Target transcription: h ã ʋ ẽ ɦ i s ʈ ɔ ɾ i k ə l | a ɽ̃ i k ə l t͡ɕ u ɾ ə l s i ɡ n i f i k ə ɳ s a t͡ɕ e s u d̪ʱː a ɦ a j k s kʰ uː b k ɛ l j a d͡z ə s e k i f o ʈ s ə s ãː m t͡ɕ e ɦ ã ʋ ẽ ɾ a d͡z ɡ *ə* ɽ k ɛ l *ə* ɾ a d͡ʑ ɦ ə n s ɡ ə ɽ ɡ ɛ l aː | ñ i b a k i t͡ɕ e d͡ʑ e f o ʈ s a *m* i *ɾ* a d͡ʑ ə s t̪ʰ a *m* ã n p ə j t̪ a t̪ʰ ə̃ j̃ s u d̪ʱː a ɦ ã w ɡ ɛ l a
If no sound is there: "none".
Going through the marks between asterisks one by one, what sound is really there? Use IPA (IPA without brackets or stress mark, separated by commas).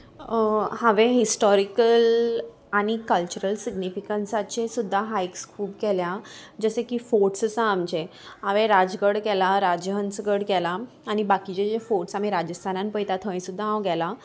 ə, a, m, ɾ, n